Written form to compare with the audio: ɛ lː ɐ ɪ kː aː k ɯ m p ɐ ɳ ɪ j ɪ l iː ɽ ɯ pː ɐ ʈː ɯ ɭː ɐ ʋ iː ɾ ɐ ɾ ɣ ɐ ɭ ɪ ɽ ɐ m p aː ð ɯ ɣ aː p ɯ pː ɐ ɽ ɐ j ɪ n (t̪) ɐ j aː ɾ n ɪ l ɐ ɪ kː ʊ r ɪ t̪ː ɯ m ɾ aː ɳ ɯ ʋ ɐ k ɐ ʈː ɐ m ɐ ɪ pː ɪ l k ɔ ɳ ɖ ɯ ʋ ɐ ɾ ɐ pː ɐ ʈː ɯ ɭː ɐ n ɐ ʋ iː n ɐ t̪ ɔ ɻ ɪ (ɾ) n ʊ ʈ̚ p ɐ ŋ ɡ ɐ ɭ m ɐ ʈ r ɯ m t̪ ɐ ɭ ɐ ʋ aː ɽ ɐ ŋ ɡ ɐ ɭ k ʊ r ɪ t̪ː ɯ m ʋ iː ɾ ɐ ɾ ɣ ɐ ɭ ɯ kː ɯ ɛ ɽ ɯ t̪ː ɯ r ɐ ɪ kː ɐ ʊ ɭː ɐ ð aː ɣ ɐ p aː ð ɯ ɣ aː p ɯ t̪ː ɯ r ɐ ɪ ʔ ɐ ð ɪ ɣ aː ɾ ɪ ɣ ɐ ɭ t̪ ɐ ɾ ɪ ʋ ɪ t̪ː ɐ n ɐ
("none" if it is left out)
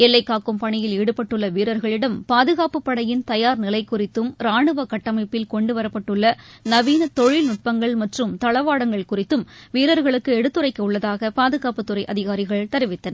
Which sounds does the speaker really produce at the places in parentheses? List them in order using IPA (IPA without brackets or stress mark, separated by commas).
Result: t̪, l